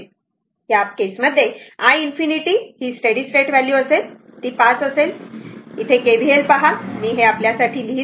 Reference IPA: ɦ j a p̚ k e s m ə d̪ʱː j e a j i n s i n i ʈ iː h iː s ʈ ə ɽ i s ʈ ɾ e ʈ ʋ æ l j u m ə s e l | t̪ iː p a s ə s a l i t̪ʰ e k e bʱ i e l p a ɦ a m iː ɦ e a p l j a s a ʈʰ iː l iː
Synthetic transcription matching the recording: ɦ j a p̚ k e s m ə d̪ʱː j e a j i n f i n i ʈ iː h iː s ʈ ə ɽ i s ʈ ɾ e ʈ ʋ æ l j u ə s e l | t̪ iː p a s ə s e l i t̪ʰ e k e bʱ i e l p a ɦ a m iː ɦ e a p l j a s a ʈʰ iː l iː